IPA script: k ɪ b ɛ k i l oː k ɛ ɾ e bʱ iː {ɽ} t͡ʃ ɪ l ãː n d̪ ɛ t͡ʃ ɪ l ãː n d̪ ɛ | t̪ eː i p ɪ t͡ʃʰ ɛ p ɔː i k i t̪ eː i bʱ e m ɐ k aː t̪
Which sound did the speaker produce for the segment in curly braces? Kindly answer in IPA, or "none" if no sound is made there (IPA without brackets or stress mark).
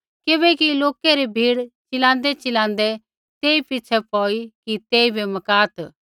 ɽ